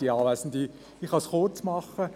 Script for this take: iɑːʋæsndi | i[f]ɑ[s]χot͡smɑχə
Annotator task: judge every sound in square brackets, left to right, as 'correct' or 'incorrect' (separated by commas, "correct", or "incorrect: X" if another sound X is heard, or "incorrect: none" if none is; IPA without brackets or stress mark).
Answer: incorrect: χ, correct